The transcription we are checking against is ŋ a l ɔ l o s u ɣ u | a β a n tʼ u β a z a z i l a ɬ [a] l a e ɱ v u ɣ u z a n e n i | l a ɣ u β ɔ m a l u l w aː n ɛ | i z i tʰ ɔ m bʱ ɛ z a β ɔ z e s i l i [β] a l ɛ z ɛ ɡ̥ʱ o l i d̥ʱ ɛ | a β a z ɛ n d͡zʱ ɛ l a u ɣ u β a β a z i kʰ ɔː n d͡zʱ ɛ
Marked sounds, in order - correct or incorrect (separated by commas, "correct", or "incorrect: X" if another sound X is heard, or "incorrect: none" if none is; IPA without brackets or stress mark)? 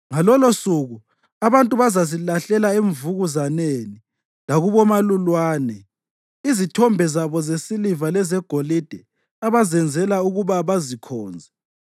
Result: incorrect: ɛ, incorrect: v